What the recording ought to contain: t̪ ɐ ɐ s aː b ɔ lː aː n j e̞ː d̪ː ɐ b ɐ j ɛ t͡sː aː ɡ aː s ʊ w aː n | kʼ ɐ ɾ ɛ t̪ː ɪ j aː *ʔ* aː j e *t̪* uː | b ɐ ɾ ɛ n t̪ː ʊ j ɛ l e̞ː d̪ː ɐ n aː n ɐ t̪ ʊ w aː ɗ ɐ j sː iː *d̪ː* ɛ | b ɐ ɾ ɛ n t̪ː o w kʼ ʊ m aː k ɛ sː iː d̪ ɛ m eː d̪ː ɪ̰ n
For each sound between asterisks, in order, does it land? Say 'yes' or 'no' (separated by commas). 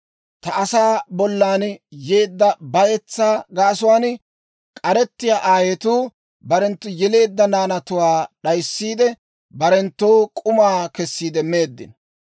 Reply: yes, yes, no